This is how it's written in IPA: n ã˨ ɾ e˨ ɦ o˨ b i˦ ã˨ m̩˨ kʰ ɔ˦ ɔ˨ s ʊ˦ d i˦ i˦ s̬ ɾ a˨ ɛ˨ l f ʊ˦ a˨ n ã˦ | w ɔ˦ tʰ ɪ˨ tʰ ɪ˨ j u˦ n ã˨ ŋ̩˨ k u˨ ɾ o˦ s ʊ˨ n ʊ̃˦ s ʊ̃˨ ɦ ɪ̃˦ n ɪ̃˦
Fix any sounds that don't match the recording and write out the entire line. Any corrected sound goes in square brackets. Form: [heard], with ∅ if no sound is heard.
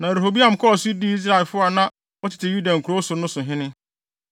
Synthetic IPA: n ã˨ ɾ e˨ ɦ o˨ b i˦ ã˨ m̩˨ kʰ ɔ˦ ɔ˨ s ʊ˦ d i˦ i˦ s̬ ɾ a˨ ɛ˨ l f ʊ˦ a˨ n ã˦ | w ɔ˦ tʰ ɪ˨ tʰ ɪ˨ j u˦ [d] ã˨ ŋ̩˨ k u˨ ɾ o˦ s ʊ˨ n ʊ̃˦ s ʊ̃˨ ɦ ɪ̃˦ n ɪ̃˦